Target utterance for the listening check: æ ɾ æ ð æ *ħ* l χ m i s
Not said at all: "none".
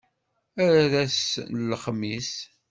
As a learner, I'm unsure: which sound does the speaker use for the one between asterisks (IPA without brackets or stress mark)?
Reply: s